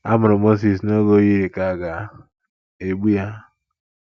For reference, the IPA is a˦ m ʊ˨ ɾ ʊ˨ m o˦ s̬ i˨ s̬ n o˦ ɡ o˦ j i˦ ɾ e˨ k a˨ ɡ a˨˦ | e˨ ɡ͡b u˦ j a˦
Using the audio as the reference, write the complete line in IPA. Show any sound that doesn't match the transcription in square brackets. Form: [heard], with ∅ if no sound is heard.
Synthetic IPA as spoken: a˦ m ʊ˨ ɾ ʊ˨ m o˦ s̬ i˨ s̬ n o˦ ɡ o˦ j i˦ ɾ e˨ k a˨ ɡ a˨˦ | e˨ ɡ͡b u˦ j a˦